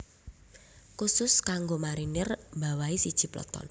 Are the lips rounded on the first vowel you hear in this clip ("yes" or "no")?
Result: yes